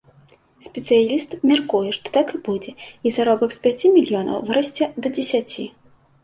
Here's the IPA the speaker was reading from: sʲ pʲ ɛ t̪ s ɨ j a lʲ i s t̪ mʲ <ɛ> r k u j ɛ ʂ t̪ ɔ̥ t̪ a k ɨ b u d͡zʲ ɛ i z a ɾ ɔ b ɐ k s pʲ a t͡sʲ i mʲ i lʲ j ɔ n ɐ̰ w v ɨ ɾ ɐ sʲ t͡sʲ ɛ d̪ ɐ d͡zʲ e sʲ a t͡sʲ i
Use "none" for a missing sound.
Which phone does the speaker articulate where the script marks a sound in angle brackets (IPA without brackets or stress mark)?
a